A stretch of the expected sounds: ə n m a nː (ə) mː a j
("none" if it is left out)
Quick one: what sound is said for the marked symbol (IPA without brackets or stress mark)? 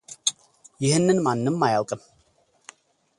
ə